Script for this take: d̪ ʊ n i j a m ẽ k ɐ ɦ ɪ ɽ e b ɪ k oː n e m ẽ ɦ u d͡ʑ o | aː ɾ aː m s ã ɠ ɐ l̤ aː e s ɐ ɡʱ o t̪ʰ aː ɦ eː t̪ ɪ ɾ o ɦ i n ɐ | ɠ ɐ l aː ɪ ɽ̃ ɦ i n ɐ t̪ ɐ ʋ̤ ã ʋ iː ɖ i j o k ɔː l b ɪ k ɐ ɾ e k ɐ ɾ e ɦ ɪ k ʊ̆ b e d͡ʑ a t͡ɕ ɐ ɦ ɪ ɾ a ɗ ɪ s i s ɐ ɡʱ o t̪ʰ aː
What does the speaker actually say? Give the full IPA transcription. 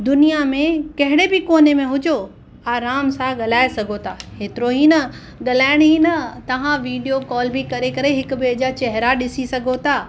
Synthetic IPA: d̪ ʊ n i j a m ẽ k ɐ ɦ ɪ ɽ e b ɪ k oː n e m ẽ ɦ ʊ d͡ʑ o | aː ɾ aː m s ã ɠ ɐ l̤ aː e s ɐ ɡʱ o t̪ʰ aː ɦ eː t̪ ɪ ɾ o ɦ i n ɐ | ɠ ɐ l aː ɪ ɽ̃ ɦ i n ɐ t̪ ɐ ʋ̤ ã ʋ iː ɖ i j o k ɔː l b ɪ k ɐ ɾ e k ɐ ɾ e ɦ ɪ k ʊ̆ b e d͡ʑ a t͡ɕ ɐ ɦ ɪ ɾ a ɗ ɪ s i s ɐ ɡʱ o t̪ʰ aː